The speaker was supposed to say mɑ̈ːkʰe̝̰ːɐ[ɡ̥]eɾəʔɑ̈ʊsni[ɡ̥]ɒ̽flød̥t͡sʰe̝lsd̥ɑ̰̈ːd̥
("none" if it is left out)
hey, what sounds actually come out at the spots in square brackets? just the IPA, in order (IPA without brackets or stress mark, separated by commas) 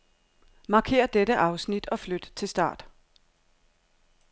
d̥, d̥